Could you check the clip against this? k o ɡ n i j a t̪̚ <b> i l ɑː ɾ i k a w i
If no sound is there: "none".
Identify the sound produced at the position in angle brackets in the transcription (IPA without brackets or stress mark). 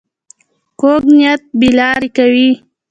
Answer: b